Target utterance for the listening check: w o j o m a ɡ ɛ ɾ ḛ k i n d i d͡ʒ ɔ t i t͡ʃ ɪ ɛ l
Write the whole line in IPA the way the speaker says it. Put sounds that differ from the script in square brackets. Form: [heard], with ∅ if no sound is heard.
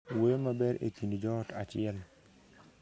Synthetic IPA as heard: w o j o m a [b] ɛ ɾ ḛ k i n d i d͡ʒ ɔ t [a] t͡ʃ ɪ ɛ l